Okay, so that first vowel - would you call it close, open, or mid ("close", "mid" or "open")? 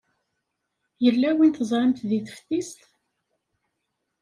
mid